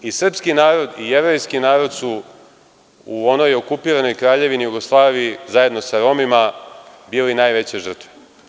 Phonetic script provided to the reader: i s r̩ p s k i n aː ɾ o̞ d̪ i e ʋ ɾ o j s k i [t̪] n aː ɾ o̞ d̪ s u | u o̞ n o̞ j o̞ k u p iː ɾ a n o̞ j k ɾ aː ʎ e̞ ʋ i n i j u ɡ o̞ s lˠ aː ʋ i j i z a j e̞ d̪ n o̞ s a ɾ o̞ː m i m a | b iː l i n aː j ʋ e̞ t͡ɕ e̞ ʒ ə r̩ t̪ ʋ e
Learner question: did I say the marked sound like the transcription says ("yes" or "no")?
no